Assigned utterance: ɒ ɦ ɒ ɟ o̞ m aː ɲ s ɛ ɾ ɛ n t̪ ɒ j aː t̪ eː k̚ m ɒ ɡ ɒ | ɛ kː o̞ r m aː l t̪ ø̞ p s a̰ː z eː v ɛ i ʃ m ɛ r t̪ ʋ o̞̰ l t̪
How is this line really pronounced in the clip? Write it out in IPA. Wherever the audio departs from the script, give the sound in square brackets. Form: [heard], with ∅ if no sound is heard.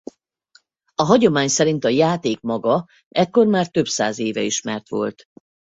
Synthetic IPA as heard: ɒ ɦ ɒ ɟ o̞ m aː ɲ s ɛ ɾ [i] n t̪ ɒ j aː t̪ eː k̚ m ɒ ɡ ɒ | ɛ kː o̞ r m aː [r] t̪ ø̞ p s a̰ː z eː v ɛ i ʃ m ɛ r t̪ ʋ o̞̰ l t̪